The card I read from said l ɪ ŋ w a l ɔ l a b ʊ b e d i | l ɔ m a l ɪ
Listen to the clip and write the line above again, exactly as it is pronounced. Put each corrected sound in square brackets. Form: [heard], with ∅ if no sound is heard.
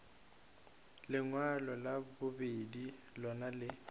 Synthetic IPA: l ɪ ŋ w a l ɔ l a b ʊ b e d i | l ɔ [n] a l ɪ